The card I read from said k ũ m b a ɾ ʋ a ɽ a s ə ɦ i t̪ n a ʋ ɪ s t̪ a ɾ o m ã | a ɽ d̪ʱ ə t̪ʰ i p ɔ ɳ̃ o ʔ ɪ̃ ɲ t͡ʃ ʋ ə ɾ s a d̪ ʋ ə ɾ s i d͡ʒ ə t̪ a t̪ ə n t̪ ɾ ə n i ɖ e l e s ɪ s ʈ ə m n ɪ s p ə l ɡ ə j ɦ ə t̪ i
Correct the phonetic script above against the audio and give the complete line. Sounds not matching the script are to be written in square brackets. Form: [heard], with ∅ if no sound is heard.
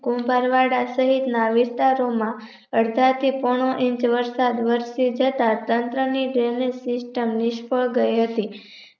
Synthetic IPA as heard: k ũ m b a ɾ ʋ a ɽ a s ə ɦ i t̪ n a ʋ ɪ s t̪ a ɾ o m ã | [ə] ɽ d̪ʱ [a] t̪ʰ i p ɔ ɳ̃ o ʔ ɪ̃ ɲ t͡ʃ ʋ ə ɾ s a d̪ ʋ ə ɾ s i d͡ʒ ə t̪ a t̪ ə n t̪ ɾ ə n i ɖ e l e s ɪ s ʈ ə m n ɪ [ʃ] p ə [ɭ] ɡ ə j ɦ ə t̪ i